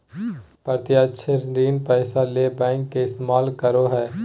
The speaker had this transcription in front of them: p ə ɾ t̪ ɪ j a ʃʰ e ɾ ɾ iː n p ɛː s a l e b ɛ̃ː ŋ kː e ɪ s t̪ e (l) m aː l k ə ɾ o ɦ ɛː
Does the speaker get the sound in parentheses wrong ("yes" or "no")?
yes